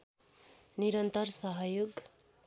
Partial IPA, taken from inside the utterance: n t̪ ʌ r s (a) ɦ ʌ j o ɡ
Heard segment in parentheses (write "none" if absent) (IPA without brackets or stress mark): ʌ